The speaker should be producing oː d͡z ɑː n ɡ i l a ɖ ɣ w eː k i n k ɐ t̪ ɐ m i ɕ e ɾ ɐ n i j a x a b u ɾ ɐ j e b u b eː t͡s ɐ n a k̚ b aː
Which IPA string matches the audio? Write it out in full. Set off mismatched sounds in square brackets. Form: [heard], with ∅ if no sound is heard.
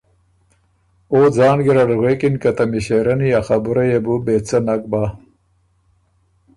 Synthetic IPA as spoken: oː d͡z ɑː n ɡ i [ɾ] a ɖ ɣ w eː k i n k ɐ t̪ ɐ m i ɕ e ɾ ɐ n i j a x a b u ɾ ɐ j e b u b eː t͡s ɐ n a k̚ b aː